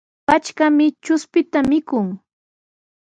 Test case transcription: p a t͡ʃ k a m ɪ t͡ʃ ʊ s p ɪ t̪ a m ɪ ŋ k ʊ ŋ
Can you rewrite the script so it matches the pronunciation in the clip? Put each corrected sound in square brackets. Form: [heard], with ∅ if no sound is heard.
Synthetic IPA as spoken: p a t͡ʃ k a m ɪ t͡ʃ ʊ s p ɪ t̪ a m ɪ [∅] k ʊ ŋ